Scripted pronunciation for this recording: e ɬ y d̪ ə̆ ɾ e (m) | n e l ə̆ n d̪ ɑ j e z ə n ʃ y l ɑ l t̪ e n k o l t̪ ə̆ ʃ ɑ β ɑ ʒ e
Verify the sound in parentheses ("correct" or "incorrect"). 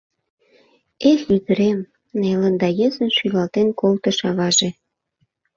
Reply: correct